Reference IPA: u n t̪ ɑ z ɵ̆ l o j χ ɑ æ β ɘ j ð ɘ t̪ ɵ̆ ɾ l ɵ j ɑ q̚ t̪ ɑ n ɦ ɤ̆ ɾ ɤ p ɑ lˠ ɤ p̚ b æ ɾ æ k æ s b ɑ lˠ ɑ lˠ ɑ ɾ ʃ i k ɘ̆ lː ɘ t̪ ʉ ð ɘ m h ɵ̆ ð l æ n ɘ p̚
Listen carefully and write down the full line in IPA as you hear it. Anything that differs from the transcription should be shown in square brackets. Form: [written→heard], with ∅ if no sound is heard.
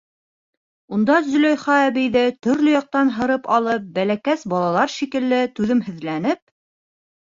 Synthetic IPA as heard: u n [t̪→d̪] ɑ z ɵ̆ l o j χ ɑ æ β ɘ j ð ɘ t̪ ɵ̆ ɾ l ɵ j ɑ q̚ t̪ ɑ n ɦ ɤ̆ ɾ ɤ p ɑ lˠ ɤ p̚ b æ [ɾ→l] æ k æ s b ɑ lˠ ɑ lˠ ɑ ɾ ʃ i k ɘ̆ lː ɘ t̪ ʉ ð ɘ m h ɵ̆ ð l æ n ɘ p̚